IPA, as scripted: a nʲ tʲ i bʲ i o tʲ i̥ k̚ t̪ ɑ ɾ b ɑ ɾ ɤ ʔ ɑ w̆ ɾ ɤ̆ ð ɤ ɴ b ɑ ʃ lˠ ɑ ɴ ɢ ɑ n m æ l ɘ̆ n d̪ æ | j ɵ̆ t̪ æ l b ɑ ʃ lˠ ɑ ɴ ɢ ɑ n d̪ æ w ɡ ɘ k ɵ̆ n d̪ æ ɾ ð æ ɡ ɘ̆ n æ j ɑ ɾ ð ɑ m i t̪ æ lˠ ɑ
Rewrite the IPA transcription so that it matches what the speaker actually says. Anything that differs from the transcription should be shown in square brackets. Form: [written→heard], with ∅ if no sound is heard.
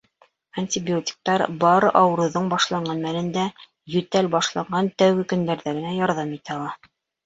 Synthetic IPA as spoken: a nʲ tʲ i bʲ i o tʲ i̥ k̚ t̪ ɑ ɾ b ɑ ɾ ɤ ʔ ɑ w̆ ɾ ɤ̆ ð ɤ ɴ b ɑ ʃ lˠ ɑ ɴ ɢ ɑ n m æ l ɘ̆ n d̪ æ | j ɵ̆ t̪ æ l b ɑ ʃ lˠ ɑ ɴ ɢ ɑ n [d̪→t̪] æ w ɡ ɘ k ɵ̆ n d̪ æ ɾ ð æ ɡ ɘ̆ n æ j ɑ ɾ ð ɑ m i t̪ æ lˠ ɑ